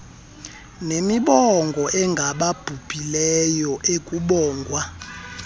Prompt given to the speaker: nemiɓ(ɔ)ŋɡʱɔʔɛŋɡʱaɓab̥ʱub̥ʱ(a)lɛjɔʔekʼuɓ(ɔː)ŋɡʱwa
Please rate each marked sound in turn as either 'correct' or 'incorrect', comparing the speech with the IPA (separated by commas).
correct, incorrect, correct